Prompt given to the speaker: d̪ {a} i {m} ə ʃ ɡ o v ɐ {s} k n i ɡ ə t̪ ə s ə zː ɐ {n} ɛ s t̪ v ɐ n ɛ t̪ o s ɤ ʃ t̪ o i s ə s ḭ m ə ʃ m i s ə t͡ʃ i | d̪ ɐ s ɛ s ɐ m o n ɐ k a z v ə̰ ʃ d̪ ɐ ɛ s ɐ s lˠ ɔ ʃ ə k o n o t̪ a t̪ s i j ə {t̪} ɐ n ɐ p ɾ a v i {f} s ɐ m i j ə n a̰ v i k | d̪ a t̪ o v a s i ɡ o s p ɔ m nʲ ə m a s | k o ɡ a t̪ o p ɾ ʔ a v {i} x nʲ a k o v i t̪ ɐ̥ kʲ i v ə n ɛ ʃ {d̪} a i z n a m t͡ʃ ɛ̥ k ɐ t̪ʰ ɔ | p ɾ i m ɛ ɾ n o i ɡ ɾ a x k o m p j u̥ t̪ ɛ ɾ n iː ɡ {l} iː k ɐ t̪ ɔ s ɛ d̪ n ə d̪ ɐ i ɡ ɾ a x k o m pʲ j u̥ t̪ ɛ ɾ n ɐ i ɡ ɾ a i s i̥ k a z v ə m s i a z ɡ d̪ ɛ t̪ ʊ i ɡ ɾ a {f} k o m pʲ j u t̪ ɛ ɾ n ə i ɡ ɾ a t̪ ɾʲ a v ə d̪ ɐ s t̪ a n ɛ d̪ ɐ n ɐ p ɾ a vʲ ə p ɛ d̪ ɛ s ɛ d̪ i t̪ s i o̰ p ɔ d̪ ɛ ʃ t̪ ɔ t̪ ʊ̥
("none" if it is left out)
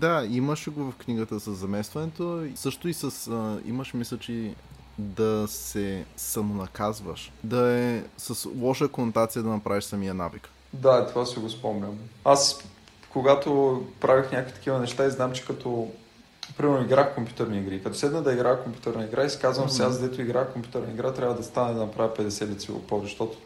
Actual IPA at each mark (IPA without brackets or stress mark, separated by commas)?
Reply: a, m, f, m, d̪, ʃ, i, t̪, ɾ, x